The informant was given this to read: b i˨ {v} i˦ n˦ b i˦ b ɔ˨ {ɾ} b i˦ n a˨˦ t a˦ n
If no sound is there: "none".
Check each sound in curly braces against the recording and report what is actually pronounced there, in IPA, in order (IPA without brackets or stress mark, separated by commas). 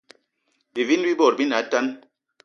v, ɾ